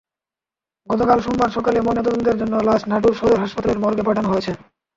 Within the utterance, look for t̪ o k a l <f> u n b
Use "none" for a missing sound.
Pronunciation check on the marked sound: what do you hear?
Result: ʃ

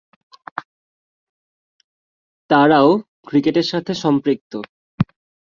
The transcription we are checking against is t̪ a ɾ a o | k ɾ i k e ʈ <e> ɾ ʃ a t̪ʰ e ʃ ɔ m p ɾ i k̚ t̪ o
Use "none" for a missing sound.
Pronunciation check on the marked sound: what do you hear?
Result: e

